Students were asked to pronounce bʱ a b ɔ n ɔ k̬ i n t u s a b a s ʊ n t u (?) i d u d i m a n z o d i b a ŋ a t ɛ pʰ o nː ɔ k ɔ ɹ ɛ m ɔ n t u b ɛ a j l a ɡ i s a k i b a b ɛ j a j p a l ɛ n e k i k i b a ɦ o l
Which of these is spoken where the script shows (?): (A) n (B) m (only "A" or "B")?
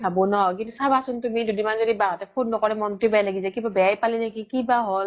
B